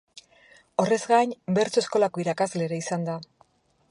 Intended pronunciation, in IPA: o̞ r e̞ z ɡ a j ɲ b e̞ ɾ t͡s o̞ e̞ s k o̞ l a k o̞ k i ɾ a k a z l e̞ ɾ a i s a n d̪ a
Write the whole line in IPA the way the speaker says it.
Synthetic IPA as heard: o̞ r e̞ z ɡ a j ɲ b e̞ ɾ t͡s o̞ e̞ s k o̞ l a k o̞ i ɾ a k a z l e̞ ɾ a i s a n d̪ a